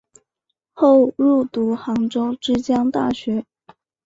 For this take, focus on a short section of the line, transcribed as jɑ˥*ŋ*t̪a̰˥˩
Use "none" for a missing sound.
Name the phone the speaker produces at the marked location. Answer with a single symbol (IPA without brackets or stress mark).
ŋ